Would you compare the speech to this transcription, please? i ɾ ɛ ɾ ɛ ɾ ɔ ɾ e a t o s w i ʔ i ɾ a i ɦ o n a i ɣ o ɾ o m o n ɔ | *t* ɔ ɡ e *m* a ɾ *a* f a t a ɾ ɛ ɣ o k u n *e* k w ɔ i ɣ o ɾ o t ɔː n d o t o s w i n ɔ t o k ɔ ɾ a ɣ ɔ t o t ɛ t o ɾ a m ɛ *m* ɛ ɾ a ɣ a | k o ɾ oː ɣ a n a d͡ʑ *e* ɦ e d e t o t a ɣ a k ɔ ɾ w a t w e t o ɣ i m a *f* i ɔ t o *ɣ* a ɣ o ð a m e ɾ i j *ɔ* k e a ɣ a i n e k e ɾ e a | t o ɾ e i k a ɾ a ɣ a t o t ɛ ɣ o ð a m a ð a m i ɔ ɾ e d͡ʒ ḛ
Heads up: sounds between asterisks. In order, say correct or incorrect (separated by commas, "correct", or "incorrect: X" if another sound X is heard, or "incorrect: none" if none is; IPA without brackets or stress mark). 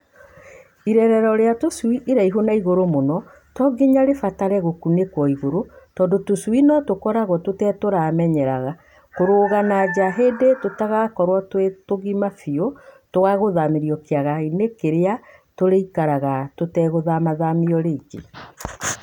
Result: correct, incorrect: ɲ, incorrect: e, correct, incorrect: ɲ, incorrect: a, correct, correct, correct